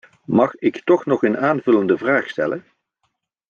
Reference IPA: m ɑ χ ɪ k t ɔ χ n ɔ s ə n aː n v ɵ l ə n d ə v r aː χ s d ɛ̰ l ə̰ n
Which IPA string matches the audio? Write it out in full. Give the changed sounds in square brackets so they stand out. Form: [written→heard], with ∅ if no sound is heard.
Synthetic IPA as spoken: m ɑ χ ɪ k t ɔ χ n ɔ [s→χ] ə n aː n v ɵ l ə n d ə v r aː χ s [d→t] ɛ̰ l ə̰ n